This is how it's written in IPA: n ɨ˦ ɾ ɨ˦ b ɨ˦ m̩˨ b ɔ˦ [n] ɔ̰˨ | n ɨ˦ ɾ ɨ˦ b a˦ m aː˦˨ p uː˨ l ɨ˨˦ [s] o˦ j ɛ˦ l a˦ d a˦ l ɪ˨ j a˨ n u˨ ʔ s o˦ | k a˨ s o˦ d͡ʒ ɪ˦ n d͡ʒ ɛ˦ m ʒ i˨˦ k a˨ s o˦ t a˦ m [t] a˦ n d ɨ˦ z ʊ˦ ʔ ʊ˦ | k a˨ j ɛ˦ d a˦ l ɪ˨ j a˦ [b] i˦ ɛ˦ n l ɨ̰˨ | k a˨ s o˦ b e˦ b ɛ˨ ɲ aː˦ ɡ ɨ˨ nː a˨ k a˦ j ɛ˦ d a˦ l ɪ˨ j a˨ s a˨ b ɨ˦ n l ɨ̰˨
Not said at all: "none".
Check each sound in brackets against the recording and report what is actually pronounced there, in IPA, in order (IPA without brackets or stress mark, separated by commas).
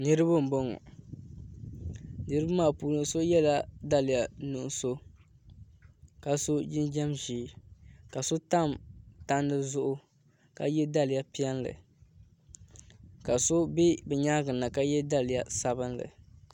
ŋ, s, t, p